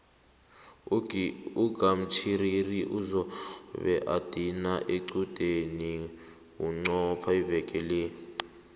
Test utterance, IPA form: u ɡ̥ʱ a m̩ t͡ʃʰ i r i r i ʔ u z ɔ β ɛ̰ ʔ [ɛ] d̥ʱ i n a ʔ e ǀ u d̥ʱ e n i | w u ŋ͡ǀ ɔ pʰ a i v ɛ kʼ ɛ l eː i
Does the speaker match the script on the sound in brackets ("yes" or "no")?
no